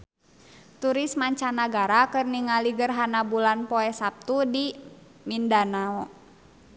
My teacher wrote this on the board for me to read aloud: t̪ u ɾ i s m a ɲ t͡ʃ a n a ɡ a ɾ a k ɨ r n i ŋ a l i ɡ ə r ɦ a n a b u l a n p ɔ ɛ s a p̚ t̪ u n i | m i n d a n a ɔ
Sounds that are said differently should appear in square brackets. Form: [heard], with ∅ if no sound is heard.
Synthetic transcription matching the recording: t̪ u ɾ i s m a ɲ t͡ʃ a n a ɡ a ɾ a k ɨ r n i ŋ a l i ɡ ə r ɦ a n a b u l a n p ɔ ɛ s a p̚ t̪ u [d] i | m i n d a n a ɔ